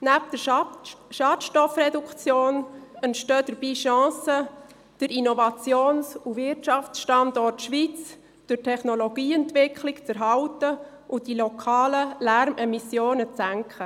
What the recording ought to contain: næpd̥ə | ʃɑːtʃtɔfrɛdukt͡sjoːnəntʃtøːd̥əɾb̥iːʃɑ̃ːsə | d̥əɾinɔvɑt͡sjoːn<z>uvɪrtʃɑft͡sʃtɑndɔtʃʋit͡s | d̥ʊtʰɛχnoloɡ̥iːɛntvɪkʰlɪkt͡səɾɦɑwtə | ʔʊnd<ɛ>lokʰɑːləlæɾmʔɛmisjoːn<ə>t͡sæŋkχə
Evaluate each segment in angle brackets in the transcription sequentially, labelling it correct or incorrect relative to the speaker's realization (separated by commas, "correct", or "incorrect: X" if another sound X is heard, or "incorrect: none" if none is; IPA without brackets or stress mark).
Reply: incorrect: s, incorrect: i, correct